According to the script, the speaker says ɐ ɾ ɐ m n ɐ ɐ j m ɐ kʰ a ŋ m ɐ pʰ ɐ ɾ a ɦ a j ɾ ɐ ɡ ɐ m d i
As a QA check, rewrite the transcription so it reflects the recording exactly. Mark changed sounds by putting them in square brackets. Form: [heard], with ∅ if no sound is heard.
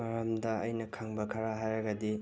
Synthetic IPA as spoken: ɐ ɾ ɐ m [d] ɐ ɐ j [n] ɐ kʰ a ŋ [b] ɐ [kʰ] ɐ ɾ a ɦ a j ɾ ɐ ɡ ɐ [∅] d i